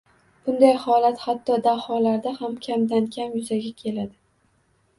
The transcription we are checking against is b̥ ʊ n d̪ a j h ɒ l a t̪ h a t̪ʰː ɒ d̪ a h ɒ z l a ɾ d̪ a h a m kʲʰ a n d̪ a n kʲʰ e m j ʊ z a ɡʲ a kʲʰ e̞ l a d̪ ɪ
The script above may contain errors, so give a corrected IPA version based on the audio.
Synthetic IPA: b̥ ʊ n d̪ a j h ɒ l a t̪ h a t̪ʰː ɒ d̪ a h ɒ l a ɾ d̪ a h a m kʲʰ a m d̪ a n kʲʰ a m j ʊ z a ɡʲ a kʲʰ e̞ l a d̪ ɪ

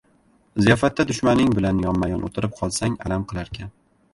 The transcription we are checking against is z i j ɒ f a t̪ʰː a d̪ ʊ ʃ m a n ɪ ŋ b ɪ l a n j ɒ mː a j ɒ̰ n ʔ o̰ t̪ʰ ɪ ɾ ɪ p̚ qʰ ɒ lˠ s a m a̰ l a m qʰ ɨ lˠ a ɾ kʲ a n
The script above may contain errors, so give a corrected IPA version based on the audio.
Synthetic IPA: z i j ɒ f a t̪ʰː a d̪ ʊ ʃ m a n ɪ ŋ b ɪ l a n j ɒ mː a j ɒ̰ n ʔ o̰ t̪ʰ ɪ ɾ ɪ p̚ qʰ ɒ lˠ s a ŋ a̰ l a m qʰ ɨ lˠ a ɾ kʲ a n

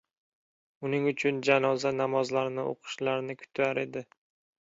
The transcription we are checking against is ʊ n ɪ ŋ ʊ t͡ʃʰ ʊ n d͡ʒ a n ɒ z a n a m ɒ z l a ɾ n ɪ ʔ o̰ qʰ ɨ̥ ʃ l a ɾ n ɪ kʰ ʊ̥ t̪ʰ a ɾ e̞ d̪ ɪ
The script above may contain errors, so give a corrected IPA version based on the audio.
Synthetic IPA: ʊ n ɪ ŋ ʊ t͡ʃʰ ʊ n d͡ʒ a n ɒ z a n a m ɒ z l a ɾ n ɪ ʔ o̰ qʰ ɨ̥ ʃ l a ɾ n ɪ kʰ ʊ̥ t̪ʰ a ɾ e̞ d̪ ɪ

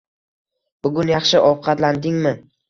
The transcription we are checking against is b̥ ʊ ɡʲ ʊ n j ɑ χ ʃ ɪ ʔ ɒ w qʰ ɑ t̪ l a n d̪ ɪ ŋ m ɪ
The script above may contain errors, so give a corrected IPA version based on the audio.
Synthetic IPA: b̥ ʊ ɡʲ ʊ n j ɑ χ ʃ ɪ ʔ ɒ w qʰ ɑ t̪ l a n d̪ ɪ ŋ m ɪ

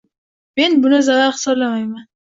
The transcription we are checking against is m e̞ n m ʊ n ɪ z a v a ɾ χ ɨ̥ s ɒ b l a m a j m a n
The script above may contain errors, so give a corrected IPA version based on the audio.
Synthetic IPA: m e̞ n b ʊ n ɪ z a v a ɾ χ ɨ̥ s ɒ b l a m a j m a n

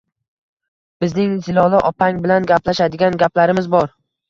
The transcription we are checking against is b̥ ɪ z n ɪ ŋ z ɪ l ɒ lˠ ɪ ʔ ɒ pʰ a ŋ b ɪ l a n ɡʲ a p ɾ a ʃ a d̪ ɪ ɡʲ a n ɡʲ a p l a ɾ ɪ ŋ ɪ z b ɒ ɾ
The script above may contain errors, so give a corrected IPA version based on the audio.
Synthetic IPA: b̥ ɪ z n ɪ ŋ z ɪ l ɒ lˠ ɪ ʔ ɒ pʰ a ŋ b ɪ l a n ɡʲ a p l a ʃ a d̪ ɪ ɡʲ a n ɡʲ a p l a ɾ ɪ m ɪ z b ɒ ɾ

